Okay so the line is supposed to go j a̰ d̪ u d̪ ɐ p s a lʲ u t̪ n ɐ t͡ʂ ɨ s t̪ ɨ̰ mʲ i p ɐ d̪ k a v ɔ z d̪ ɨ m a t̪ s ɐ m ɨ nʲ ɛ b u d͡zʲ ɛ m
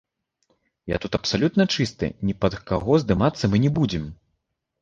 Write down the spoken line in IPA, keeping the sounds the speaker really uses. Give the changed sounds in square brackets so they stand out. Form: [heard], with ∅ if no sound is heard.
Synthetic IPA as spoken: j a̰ [t̪] u [t̪] ɐ p s a lʲ u t̪ n ɐ t͡ʂ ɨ s t̪ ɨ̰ [nʲ] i p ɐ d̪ k a [ɣ] ɔ z d̪ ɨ m a t̪ [sː] ɐ m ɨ nʲ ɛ b u d͡zʲ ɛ m